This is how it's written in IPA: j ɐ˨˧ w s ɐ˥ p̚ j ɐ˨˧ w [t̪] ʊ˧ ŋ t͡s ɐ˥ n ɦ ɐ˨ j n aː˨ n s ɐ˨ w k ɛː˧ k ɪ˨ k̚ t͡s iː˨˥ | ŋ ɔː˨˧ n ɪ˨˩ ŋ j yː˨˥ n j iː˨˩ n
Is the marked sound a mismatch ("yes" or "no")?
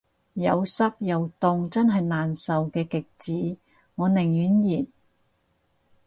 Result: no